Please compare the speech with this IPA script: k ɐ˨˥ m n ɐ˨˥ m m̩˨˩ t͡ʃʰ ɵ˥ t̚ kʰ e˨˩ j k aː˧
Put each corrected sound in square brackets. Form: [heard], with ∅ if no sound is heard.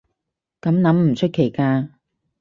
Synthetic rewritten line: k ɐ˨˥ m n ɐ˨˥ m m̩˨˩ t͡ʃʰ ɵ˥ t̚ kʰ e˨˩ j k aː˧